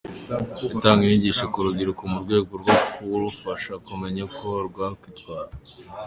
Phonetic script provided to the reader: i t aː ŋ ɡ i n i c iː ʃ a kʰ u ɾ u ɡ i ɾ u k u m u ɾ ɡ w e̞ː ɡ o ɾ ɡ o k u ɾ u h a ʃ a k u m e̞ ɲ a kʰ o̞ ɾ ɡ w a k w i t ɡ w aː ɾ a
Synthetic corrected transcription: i t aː ŋ ɡ i n i ɟ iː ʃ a k u ɾ u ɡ i ɾ u k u m u ɾ ɡ w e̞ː ɡ o ɾ ɡ o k u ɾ u f a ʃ a k u m e̞ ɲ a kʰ o̞ ɾ ɡ w a k w i t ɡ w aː ɾ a